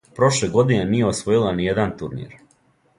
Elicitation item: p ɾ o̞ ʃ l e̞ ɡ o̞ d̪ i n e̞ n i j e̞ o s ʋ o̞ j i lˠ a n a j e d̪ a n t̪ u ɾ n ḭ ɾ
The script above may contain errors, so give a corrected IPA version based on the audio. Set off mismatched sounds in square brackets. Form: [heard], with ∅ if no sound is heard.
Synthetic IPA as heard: p ɾ o̞ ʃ l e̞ ɡ o̞ d̪ i n e̞ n i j e̞ o s ʋ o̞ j i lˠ a n [i] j e d̪ a n t̪ u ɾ n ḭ ɾ